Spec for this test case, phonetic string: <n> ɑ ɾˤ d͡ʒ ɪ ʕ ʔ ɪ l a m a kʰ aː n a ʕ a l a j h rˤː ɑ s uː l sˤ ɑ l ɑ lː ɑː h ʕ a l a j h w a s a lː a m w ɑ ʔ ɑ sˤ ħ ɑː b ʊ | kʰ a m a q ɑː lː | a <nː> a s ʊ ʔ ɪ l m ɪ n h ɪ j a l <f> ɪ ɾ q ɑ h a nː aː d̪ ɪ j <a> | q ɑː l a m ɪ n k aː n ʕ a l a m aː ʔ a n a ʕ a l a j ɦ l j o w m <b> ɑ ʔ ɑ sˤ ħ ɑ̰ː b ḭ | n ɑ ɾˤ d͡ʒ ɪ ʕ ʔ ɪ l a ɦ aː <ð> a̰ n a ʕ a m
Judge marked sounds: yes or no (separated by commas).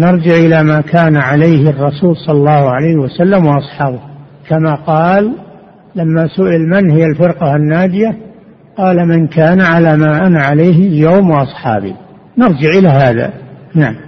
yes, no, yes, yes, no, yes